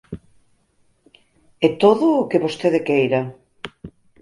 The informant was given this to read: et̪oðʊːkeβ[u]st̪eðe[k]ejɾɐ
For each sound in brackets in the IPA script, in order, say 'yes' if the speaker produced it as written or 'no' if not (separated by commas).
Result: no, yes